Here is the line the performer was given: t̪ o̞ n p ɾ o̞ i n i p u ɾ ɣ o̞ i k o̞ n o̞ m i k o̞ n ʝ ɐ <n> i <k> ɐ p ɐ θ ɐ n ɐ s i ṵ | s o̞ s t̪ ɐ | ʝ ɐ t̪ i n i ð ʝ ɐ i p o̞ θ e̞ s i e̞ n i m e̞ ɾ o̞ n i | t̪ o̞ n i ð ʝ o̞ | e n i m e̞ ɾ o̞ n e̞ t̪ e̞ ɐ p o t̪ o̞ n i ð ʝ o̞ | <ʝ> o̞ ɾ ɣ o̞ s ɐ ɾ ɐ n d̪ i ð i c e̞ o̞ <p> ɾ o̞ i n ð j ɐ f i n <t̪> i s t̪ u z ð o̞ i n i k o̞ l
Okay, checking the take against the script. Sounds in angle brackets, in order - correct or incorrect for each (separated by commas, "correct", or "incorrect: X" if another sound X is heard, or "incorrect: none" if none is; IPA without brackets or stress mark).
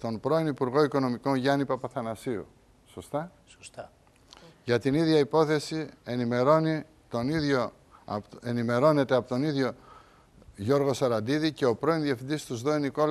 correct, incorrect: p, correct, correct, incorrect: d̪